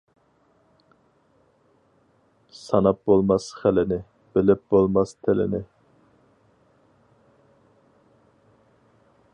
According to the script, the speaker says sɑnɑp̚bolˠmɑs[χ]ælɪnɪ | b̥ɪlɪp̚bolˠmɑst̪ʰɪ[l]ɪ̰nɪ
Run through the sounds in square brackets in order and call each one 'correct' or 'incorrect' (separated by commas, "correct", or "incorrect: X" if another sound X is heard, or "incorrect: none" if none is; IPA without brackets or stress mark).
correct, correct